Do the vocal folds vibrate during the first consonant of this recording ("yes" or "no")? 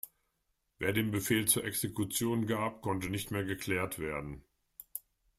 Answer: yes